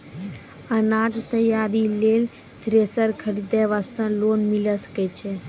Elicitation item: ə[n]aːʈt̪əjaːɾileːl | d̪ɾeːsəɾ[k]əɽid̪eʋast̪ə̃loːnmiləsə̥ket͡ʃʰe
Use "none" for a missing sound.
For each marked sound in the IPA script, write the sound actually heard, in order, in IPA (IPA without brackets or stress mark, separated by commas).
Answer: n, kʰ